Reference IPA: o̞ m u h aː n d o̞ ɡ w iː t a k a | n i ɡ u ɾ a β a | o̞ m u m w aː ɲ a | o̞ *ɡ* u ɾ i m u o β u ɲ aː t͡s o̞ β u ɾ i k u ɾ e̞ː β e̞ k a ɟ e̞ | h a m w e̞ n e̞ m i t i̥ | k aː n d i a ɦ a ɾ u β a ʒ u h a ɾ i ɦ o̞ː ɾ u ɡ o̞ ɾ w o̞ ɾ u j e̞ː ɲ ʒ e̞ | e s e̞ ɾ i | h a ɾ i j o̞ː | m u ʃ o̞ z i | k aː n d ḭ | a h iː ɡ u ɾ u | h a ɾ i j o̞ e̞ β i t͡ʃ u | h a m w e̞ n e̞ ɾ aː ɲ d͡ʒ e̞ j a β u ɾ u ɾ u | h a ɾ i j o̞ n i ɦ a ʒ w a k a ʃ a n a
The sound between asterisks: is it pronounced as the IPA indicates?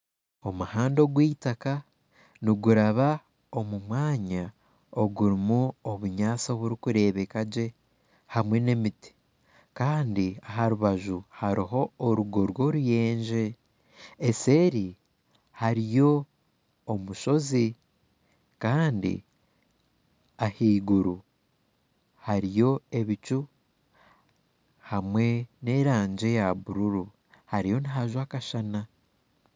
yes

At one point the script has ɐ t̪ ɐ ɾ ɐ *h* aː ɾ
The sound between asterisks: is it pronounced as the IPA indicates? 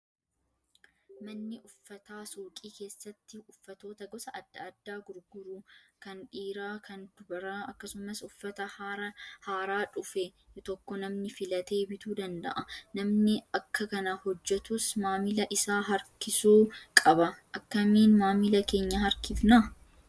yes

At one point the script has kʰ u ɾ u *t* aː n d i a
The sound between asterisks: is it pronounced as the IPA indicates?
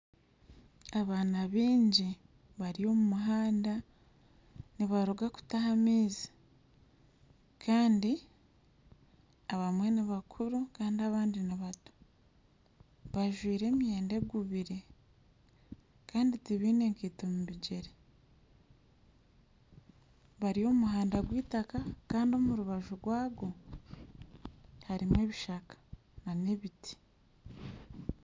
no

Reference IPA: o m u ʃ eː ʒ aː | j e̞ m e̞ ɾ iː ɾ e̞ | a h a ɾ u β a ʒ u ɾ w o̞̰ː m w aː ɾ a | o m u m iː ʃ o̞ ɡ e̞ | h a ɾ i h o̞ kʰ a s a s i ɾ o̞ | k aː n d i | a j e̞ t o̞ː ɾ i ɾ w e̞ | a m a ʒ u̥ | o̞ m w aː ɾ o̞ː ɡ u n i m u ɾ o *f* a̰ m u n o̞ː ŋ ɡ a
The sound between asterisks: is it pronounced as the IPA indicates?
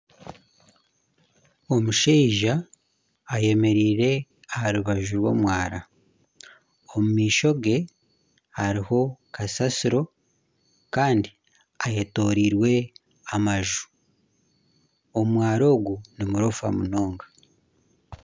yes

